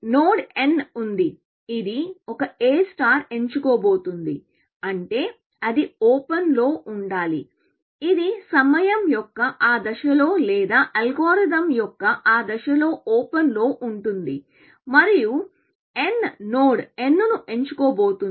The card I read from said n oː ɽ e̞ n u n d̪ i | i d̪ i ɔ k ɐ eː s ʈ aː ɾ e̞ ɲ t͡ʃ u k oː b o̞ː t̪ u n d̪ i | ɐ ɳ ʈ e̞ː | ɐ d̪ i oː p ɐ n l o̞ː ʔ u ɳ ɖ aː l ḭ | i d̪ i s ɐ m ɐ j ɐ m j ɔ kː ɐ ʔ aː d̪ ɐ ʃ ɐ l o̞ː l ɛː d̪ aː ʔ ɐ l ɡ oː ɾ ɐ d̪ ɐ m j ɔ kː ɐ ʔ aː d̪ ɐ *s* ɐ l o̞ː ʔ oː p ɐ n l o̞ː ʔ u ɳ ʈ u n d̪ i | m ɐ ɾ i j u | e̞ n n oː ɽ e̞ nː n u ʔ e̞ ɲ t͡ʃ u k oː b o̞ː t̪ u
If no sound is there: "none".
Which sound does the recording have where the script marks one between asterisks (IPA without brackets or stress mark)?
ʃ